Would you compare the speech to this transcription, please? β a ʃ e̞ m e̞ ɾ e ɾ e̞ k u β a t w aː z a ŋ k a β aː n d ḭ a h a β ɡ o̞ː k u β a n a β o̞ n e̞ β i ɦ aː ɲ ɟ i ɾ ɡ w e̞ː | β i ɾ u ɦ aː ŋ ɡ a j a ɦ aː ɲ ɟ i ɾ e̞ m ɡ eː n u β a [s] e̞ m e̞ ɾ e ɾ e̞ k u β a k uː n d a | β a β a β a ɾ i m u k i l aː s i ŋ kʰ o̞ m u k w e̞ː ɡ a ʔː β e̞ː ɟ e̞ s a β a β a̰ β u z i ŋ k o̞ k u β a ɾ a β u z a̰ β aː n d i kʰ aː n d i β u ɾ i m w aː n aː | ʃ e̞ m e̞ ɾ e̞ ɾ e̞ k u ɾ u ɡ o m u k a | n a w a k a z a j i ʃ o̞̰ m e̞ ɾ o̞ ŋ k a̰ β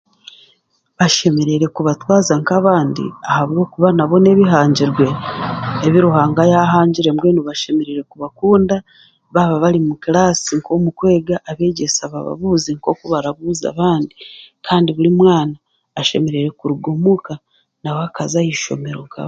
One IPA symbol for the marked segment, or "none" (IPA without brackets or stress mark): ʃ